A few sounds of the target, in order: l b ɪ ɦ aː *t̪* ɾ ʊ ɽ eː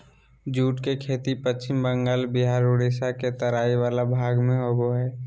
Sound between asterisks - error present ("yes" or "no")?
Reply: yes